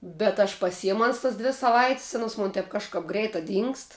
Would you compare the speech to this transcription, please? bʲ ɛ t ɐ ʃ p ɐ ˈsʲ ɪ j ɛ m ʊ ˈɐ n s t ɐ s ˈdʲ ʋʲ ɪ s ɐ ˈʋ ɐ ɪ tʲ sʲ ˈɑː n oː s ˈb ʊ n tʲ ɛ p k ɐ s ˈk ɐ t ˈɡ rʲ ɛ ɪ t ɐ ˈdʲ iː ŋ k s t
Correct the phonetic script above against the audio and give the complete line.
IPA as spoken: bʲ ɛ t ɐ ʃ p ɐ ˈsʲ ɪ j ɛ m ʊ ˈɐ n s t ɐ s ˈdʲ ʋʲ ɪ s ɐ ˈʋ ɐ ɪ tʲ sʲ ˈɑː n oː s ˈm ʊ n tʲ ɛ p k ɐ ʃ ˈk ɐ p ˈɡ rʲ ɛ ɪ t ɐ ˈdʲ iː ŋ k s t